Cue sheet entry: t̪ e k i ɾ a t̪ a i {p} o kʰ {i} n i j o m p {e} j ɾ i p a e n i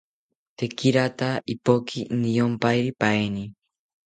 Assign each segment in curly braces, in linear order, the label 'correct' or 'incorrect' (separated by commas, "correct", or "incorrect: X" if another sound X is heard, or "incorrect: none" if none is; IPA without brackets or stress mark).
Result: correct, correct, incorrect: a